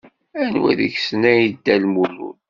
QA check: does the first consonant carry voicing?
yes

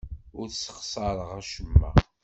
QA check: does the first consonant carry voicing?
yes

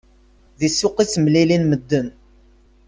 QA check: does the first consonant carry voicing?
yes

